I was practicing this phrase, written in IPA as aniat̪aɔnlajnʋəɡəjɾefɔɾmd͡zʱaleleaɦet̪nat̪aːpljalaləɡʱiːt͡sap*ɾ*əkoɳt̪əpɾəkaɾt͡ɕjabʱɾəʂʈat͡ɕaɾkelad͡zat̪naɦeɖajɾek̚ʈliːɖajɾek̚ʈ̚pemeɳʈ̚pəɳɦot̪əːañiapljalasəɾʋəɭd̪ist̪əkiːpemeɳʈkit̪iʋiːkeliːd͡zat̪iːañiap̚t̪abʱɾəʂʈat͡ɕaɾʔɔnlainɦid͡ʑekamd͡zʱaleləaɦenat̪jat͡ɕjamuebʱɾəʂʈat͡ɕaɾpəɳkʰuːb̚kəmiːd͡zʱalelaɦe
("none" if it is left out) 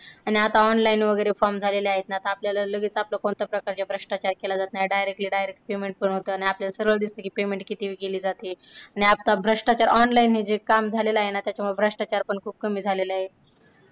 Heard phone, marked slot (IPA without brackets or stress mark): l